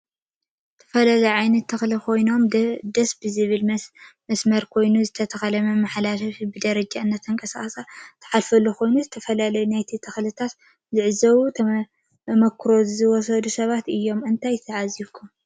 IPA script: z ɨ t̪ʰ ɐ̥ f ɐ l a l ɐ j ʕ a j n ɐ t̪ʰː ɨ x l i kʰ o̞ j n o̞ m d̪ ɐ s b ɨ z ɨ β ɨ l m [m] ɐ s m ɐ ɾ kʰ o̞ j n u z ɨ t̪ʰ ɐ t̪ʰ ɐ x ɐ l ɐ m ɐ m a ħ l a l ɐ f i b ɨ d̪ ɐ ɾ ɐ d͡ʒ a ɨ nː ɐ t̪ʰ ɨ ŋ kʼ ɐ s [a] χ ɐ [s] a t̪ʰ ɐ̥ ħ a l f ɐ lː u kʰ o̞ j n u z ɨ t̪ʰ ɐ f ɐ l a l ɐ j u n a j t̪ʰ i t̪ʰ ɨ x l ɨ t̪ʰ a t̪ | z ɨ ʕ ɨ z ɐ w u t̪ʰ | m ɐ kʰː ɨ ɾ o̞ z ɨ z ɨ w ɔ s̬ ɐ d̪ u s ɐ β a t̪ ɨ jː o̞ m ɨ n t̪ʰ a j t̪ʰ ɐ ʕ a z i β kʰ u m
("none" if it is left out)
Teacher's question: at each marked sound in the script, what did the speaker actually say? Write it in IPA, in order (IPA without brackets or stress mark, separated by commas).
m, a, s